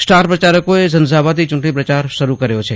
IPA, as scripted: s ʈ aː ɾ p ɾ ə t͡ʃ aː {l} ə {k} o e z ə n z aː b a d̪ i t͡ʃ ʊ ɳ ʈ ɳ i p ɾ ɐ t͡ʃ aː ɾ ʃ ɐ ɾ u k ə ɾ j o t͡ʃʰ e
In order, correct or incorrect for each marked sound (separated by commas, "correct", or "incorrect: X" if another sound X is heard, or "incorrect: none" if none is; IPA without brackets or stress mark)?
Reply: incorrect: ɾ, correct